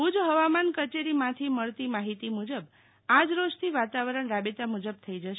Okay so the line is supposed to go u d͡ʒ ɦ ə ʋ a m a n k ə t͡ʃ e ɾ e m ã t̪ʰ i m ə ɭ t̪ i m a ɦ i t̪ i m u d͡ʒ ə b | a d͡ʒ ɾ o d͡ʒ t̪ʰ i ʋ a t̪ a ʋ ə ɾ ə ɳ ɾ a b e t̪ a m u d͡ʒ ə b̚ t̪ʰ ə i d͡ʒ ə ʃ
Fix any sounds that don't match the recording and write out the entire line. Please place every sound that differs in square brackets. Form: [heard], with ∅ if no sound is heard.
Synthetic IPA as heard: u d͡ʒ ɦ ə ʋ a m a n k ə t͡ʃ e ɾ [i] m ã t̪ʰ i m ə ɭ t̪ i m a ɦ i t̪ i m u d͡ʒ ə b | a d͡ʒ ɾ o d͡ʒ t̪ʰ i ʋ a t̪ a ʋ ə ɾ ə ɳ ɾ a b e t̪ a m u d͡ʒ ə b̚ t̪ʰ ə i d͡ʒ ə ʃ